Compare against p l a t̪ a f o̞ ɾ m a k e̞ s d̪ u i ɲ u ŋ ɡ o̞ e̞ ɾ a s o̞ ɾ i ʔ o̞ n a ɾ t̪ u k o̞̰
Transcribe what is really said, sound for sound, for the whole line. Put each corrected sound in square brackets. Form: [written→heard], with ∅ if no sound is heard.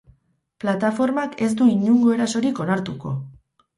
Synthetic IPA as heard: p l a t̪ a f o̞ ɾ m a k e̞ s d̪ u i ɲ u ŋ ɡ o̞ e̞ ɾ a s o̞ ɾ i [ʔ→k] o̞ n a ɾ t̪ u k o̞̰